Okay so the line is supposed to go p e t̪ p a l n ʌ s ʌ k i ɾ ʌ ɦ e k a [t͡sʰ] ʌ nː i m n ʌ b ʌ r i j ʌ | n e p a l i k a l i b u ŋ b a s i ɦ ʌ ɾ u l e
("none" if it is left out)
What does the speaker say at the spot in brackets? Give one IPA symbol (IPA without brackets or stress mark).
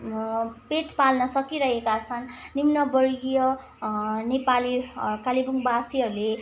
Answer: t͡sʰ